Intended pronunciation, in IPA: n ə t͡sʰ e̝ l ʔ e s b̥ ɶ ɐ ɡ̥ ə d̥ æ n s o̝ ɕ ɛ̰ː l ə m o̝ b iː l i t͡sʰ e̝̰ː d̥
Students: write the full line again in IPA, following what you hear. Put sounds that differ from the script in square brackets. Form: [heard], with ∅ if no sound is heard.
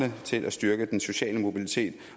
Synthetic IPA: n ə t͡sʰ e̝ l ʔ [æ] s [d̥] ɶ ɐ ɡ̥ ə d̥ [e] n s o̝ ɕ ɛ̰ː l ə m o̝ b [i] l i t͡sʰ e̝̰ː d̥

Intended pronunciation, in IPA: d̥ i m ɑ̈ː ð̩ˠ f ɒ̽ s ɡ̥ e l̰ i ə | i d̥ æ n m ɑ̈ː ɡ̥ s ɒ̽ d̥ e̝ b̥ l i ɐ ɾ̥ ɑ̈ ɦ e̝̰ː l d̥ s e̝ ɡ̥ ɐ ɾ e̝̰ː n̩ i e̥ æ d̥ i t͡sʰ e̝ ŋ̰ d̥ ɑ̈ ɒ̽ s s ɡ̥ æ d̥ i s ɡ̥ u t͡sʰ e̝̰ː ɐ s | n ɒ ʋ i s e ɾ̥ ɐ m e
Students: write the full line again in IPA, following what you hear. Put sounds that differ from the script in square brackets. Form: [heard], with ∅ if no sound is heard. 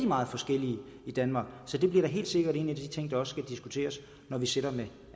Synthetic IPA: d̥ i m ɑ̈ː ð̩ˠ f ɒ̽ s ɡ̥ e l̰ i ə | i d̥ æ n m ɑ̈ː ɡ̥ s ɒ̽ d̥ e̝ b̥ l i ɐ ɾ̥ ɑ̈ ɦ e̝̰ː l d̥ s e̝ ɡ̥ ɐ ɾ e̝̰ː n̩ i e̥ æ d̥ i t͡sʰ e̝ ŋ̰ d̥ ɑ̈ ɒ̽ s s ɡ̥ æ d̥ i s ɡ̥ u t͡sʰ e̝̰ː ɐ s | n ɒ ʋ i s e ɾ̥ ɐ m e

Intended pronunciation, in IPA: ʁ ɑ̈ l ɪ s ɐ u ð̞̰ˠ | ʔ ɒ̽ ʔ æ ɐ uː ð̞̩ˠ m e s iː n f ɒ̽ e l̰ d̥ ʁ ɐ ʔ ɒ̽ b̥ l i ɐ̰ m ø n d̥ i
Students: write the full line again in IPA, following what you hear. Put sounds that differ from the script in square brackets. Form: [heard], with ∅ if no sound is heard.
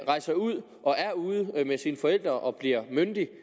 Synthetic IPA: ʁ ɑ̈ [∅] ɪ s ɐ u ð̞̰ˠ | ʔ ɒ̽ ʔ æ ɐ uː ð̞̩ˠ m e s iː n f ɒ̽ e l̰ d̥ ʁ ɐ ʔ ɒ̽ b̥ l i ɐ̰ m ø n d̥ i

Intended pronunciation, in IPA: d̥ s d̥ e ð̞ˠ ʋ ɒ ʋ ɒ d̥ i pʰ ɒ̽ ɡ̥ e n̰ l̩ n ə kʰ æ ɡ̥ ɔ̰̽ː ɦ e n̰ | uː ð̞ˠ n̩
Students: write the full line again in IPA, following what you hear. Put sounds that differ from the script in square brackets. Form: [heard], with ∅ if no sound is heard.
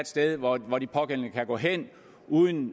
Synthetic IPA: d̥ s d̥ e ð̞ˠ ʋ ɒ ʋ ɒ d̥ i pʰ ɒ̽ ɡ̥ e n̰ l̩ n ə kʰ æ ɡ̥ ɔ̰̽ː ɦ e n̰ | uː ð̞ˠ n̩

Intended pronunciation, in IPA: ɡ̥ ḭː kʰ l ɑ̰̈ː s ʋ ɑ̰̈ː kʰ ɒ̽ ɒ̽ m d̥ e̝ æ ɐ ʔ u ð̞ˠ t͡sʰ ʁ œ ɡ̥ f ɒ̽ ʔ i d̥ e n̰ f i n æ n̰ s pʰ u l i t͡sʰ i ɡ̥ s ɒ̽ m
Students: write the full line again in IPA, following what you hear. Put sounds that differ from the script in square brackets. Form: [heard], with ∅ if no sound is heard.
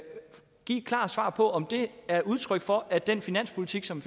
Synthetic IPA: ɡ̥ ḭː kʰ l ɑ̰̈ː s ʋ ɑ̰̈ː [pʰ] ɒ̽ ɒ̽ m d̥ e̝ æ ɐ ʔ u ð̞ˠ t͡sʰ ʁ œ ɡ̥ f ɒ̽ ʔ [æ] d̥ e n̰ f i n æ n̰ s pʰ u l i t͡sʰ i ɡ̥ s ɒ̽ m

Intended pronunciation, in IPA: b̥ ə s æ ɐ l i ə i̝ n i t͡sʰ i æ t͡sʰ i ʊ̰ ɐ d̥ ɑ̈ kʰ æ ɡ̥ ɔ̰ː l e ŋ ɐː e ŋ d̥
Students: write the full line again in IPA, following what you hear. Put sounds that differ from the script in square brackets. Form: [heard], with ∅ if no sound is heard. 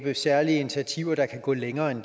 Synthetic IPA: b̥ ə s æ ɐ l i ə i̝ n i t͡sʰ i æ t͡sʰ i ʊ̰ ɐ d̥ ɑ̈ kʰ æ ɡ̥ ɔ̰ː l e ŋ ɐː e [n] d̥

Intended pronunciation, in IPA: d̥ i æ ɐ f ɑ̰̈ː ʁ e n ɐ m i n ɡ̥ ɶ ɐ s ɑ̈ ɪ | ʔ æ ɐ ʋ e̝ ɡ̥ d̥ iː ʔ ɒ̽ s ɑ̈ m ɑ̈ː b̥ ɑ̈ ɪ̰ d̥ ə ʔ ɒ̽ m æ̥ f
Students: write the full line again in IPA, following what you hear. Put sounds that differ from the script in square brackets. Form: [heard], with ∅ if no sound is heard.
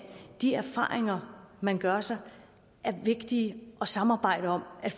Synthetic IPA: d̥ i æ ɐ f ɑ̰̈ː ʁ e [ŋ] ɐ m [æ] n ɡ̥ ɶ ɐ s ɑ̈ ɪ | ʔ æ ɐ ʋ e̝ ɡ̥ d̥ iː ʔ ɒ̽ s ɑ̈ m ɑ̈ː b̥ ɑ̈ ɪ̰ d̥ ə [∅] ɒ̽ m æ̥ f

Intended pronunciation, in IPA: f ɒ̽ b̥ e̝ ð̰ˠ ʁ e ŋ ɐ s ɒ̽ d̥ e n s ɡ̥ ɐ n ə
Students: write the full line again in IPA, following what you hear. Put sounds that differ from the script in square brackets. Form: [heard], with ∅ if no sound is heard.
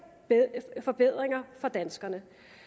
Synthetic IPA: f ɒ̽ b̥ e̝ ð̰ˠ ʁ e ŋ ɐ [f] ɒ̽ d̥ [æ] n s ɡ̥ ɐ n ə

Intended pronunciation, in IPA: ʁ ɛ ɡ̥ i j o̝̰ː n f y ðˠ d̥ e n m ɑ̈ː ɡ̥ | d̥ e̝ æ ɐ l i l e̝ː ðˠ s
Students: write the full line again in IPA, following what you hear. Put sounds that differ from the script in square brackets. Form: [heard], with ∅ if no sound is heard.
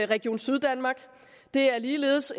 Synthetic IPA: ʁ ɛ ɡ̥ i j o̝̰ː n [s] y ðˠ d̥ [æ] n m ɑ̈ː ɡ̥ | d̥ e̝ æ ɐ l [iː] l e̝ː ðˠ s

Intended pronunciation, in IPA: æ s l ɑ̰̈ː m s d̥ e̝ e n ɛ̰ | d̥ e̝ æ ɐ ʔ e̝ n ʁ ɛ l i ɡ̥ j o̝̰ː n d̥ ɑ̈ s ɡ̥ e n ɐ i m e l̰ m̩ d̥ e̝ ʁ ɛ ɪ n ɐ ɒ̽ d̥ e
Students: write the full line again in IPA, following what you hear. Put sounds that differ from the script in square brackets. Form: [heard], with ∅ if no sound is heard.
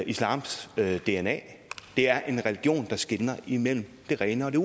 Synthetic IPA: [i] s l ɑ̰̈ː m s d̥ e̝ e n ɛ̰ | d̥ e̝ æ ɐ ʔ e̝ n ʁ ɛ l i ɡ̥ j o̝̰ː n d̥ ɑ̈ s ɡ̥ e n ɐ i m e l̰ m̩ d̥ e̝ ʁ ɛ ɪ n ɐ ɒ̽ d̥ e

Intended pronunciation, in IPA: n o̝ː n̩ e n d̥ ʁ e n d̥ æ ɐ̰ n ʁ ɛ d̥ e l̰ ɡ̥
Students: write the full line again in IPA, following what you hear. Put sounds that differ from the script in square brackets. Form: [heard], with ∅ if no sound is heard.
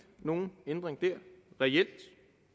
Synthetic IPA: n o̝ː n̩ e n d̥ ʁ e [ŋ] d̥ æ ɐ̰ [∅] ʁ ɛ [∅] e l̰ [d̥]

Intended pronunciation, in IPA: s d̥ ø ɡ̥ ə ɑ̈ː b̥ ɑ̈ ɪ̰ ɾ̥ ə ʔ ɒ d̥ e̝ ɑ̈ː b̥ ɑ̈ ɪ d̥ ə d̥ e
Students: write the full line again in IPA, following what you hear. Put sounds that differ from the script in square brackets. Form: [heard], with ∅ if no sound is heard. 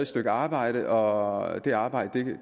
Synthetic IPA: s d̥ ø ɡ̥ ə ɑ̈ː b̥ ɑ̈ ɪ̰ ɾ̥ ə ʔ ɒ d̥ e̝ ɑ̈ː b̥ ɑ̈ ɪ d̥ ə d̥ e

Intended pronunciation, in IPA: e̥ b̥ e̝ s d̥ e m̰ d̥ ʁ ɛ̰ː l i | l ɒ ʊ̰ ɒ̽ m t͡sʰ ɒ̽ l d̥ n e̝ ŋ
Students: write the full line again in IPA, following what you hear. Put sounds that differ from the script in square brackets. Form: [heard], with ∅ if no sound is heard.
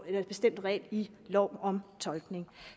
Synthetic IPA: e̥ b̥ e̝ s d̥ e m̰ d̥ ʁ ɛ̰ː l i | l ɒ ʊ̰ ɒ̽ m t͡sʰ ɒ̽ l [ɡ̥] n e̝ ŋ

